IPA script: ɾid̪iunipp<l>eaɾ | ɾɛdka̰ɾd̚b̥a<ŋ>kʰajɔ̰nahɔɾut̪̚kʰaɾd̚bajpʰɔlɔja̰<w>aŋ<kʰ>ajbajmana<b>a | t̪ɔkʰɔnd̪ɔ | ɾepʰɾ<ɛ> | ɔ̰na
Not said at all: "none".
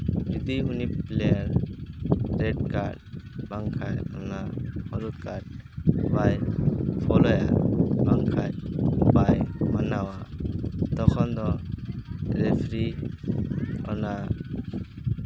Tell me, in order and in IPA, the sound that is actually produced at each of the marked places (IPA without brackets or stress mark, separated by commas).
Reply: l, ŋ, b, kʰ, w, i